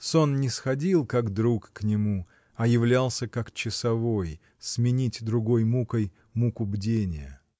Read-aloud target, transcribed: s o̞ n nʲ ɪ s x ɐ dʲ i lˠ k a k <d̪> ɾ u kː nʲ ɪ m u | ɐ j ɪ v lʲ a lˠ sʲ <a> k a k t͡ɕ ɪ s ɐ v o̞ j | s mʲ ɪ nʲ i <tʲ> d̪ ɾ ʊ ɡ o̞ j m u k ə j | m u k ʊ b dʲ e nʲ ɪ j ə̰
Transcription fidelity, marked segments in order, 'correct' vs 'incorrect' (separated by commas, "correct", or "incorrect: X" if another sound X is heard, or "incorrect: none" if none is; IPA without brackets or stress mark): correct, incorrect: ə, correct